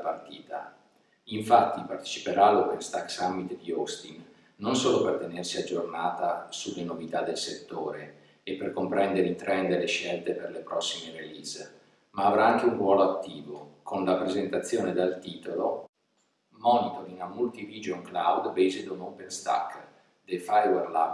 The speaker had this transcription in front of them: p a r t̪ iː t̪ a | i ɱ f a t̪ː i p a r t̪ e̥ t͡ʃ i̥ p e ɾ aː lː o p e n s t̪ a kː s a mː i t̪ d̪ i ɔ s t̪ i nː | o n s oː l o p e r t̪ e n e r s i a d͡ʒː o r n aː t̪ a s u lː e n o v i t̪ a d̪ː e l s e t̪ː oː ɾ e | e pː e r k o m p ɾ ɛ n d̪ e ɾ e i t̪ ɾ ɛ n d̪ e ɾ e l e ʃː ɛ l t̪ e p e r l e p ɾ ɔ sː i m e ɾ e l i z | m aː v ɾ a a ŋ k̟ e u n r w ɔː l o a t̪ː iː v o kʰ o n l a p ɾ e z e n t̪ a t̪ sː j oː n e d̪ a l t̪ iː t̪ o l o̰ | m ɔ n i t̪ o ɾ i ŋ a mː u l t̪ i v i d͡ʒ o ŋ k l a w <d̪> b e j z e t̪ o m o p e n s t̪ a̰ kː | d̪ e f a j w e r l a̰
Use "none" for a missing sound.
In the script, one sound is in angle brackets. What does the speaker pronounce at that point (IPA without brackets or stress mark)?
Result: d̪